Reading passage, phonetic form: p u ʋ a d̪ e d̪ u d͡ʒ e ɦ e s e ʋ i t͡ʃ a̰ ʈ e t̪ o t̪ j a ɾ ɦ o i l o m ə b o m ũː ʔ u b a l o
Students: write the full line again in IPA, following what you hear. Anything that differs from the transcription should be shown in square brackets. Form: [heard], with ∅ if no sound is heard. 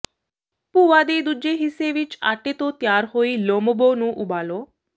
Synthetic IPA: p u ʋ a d̪ e d̪ u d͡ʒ e ɦ [i] s e ʋ i t͡ʃ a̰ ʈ e t̪ o t̪ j a ɾ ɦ o i l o m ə b o [n] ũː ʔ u b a l o